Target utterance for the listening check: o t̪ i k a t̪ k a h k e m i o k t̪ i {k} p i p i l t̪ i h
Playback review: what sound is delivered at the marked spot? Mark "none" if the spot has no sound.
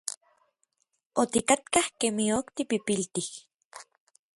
none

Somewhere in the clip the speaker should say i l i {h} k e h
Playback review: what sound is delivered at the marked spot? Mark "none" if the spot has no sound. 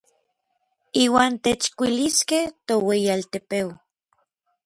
s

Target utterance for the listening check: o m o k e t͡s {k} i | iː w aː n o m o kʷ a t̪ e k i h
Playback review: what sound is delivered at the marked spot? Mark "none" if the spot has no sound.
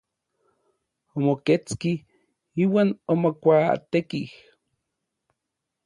k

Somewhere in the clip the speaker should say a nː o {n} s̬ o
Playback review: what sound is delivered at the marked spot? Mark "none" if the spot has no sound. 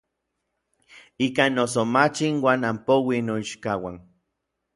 none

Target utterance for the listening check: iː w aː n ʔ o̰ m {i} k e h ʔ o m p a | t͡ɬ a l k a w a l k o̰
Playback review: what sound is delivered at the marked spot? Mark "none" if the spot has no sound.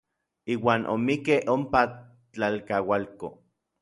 i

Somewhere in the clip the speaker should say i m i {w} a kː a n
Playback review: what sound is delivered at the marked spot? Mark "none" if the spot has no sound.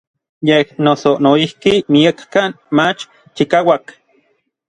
none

